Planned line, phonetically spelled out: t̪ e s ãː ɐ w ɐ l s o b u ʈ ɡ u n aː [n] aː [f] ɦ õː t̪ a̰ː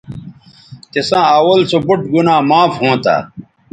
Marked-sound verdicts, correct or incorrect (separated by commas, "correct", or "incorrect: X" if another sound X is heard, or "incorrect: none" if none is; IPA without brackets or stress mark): incorrect: m, correct